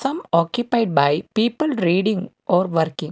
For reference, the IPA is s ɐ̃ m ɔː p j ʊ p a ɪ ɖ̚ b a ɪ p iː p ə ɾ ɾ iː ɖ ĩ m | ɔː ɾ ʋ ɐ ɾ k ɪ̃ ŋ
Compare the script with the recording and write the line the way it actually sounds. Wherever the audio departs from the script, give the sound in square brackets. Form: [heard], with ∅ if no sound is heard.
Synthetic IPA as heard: s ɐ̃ m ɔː [k] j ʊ p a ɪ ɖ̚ b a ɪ p iː p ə [l] ɾ iː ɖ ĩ [ŋ] | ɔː ɾ ʋ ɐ ɾ k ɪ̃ ŋ

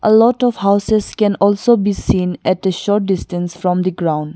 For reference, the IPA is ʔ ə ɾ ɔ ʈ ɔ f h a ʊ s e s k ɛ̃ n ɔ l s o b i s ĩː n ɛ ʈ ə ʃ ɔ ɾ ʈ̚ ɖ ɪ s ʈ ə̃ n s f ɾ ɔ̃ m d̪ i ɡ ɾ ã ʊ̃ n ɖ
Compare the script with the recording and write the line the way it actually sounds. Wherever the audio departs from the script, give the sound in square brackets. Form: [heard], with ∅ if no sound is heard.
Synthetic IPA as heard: ʔ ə [l] ɔ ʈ ɔ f h a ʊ s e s k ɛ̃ n ɔ l s o b i s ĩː n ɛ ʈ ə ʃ ɔ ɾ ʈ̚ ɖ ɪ s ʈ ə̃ n s f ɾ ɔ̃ m d̪ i ɡ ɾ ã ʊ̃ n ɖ

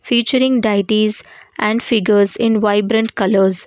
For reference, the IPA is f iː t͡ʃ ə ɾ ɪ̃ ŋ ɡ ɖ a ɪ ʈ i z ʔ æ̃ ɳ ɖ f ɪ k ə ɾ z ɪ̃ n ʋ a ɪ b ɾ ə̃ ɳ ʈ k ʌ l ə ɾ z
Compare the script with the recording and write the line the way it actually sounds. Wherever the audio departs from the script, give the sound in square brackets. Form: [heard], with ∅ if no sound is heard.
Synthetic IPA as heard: f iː t͡ʃ ə ɾ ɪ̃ ŋ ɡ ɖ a ɪ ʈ i z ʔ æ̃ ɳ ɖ f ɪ [ɡ] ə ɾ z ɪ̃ n ʋ a ɪ b ɾ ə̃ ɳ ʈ k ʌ l ə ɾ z

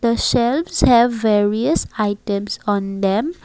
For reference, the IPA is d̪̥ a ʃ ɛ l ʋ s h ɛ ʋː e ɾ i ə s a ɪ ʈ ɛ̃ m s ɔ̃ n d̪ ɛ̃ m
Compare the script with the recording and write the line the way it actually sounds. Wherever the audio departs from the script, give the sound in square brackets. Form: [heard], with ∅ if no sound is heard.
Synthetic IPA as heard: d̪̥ [ə] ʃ ɛ l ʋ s h ɛ ʋː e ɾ i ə s a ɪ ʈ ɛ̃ m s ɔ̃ n d̪ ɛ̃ m

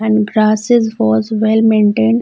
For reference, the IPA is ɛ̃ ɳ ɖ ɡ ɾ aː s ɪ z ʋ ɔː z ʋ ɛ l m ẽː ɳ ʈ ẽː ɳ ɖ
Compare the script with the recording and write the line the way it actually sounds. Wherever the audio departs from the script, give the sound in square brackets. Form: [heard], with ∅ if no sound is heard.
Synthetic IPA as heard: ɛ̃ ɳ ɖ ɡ ɾ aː s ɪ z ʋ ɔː z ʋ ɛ l m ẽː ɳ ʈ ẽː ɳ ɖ

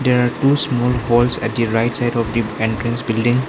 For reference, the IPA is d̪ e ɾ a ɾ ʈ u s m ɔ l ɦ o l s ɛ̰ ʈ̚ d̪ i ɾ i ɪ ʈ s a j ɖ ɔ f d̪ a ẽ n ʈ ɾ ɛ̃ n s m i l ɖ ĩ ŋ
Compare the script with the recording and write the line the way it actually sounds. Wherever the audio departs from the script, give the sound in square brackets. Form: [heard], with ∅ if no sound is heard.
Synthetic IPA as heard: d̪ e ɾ a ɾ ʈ u s m ɔ l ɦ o l s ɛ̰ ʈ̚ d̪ i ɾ [a] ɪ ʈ s a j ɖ ɔ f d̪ [i] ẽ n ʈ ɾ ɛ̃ n s [b] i l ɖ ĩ ŋ

